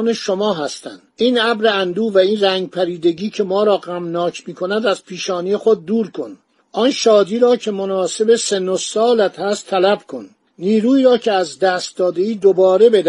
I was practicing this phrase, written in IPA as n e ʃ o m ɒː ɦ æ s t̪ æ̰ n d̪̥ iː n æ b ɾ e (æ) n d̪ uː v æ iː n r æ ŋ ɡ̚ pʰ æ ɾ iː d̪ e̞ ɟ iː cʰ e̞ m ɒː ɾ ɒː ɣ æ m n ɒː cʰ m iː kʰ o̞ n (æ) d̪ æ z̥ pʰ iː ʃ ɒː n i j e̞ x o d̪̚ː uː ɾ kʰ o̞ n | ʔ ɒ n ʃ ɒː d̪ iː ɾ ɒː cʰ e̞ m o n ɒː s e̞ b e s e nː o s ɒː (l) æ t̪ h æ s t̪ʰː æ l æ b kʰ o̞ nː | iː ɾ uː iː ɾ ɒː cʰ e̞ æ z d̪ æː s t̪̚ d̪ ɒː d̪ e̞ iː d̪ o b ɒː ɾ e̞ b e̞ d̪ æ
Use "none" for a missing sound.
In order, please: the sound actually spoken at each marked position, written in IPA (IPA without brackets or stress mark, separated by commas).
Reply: æ, æ, l